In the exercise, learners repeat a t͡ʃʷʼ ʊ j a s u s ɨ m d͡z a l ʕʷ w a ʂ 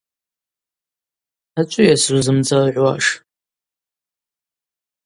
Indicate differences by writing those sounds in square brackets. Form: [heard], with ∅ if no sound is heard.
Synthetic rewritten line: a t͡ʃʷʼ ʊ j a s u [z] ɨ m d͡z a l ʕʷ w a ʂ